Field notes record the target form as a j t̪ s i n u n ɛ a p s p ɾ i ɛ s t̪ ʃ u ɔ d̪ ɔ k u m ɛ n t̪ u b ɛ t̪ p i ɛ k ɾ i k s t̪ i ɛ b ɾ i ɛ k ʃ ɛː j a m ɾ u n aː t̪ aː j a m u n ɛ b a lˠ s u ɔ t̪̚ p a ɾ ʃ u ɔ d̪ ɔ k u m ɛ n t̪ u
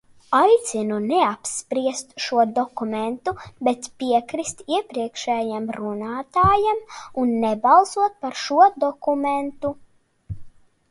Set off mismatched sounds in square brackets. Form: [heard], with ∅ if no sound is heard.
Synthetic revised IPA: a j t̪ s i n u n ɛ a p s p ɾ i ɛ s t̪ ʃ u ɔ d̪ ɔ k u m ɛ n t̪ u b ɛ t̪ p i ɛ k ɾ i [∅] s t̪ i ɛ [p] ɾ i ɛ k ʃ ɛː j a m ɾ u n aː t̪ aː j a m u [nː] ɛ b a lˠ s u ɔ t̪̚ p a ɾ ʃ u ɔ d̪ ɔ k u m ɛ n t̪ u